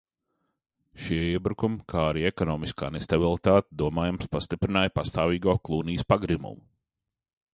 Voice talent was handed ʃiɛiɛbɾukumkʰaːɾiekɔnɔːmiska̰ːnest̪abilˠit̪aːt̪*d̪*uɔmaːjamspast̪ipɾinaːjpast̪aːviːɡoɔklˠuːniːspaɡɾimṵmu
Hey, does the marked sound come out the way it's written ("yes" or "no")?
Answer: yes